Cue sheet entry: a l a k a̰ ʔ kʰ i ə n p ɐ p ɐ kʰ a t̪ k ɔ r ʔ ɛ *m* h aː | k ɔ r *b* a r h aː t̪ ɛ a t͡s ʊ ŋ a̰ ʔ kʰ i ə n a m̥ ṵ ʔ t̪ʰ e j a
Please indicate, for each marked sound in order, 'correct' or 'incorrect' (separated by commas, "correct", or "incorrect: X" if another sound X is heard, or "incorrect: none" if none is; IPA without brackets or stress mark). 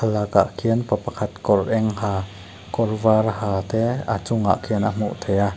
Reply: incorrect: ŋ, incorrect: v